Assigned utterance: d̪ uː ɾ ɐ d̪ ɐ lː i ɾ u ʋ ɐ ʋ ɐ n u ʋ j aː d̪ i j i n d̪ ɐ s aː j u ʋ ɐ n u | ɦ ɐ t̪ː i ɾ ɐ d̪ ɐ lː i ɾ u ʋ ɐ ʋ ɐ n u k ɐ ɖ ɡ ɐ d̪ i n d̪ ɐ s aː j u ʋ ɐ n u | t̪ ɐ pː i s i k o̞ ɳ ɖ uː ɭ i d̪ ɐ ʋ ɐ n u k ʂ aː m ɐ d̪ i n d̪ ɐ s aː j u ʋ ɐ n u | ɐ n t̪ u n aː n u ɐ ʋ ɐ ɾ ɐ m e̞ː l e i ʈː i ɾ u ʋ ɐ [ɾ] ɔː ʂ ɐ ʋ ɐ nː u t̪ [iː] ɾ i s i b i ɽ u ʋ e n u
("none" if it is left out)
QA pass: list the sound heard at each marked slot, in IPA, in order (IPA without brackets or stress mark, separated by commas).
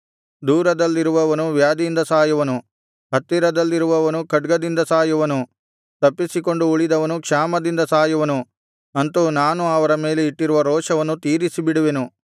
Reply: ɾ, iː